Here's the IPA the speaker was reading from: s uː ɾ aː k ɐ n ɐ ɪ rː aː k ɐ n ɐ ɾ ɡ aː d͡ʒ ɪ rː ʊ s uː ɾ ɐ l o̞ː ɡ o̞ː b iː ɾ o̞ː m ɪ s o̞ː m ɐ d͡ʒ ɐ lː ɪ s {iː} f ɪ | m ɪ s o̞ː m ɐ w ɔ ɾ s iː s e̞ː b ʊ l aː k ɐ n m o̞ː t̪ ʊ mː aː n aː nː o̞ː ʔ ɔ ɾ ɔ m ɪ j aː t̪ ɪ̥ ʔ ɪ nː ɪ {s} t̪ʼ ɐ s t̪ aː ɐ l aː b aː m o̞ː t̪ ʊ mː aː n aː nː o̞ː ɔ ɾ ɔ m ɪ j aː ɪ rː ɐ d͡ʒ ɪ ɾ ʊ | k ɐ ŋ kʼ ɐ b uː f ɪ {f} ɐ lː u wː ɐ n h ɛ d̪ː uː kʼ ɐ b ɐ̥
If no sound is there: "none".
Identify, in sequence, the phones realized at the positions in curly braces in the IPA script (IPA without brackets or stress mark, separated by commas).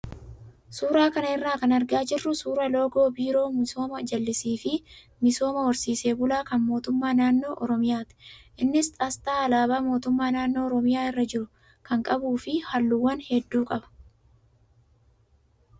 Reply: iː, s, h